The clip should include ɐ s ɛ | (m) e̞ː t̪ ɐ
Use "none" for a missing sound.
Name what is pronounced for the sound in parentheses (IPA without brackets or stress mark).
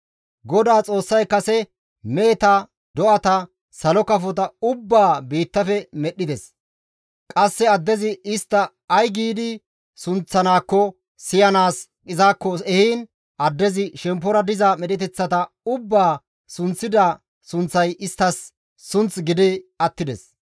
m